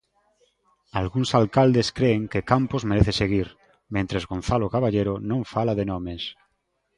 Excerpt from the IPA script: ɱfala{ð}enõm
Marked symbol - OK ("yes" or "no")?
yes